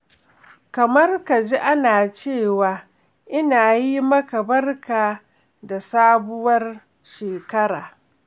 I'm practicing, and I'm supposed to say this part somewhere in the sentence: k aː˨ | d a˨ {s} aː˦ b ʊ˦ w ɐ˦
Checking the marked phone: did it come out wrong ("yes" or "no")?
no